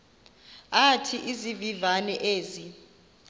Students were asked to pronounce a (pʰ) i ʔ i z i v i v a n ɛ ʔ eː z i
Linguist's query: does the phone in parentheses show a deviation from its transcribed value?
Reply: yes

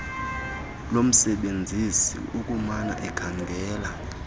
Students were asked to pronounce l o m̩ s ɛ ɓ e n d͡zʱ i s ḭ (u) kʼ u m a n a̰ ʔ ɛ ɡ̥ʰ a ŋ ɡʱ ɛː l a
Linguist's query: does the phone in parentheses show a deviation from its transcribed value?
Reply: no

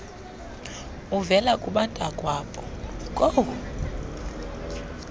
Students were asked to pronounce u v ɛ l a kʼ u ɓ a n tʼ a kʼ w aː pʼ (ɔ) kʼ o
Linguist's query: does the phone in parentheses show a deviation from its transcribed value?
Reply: no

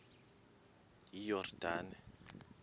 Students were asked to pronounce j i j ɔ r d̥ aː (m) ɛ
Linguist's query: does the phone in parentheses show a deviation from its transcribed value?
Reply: yes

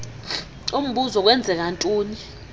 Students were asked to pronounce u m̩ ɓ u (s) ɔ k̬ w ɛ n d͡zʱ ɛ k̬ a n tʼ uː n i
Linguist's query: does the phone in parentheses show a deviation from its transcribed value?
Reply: yes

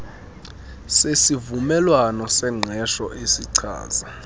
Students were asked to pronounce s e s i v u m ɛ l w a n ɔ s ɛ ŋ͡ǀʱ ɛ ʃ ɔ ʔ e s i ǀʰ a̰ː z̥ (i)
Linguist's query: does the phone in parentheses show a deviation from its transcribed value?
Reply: yes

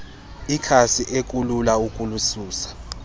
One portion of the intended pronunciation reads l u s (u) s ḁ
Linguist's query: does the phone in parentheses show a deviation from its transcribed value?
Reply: yes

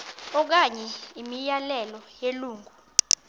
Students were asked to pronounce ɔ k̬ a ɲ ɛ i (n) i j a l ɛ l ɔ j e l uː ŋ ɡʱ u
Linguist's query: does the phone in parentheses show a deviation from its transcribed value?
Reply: yes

